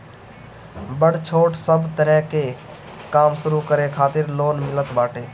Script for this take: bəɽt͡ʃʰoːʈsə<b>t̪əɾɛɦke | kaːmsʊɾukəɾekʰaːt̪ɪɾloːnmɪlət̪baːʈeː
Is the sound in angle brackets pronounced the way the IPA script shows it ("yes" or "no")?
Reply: yes